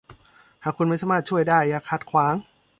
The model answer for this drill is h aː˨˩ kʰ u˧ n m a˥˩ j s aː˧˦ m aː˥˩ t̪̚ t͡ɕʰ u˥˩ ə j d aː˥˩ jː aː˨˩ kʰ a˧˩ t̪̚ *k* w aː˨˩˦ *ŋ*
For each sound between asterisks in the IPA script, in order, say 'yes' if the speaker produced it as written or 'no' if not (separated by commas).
no, yes